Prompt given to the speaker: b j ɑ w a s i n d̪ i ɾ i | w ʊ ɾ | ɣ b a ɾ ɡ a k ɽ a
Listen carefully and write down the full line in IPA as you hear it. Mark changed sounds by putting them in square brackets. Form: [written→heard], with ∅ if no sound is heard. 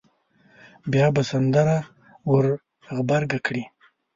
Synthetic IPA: b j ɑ [w→b] a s [i→a] n d̪ [i→a] ɾ [i→a] | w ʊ ɾ | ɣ b a ɾ ɡ a k ɽ [a→i]